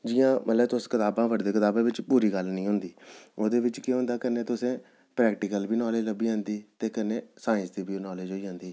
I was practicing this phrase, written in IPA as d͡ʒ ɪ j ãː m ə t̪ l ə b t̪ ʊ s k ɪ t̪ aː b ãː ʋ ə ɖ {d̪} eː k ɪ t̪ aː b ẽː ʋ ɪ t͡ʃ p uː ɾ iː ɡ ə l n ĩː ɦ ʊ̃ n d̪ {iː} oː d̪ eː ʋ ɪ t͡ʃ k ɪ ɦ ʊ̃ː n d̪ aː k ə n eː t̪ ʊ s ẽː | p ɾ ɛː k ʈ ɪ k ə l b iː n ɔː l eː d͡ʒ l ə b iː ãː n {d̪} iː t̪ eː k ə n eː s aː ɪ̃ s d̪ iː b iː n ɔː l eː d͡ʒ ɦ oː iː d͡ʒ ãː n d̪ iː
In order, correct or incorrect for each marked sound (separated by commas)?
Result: correct, correct, correct